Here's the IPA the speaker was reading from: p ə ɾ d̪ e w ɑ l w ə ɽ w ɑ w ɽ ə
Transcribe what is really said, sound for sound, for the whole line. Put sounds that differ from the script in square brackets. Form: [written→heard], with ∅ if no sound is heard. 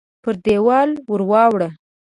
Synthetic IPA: p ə ɾ d̪ e w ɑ l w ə [ɽ→ɾ] w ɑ w ɽ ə